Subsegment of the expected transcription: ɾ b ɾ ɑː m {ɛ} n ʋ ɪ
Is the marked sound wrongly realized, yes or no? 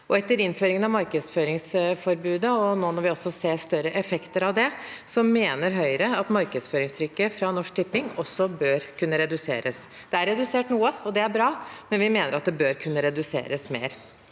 no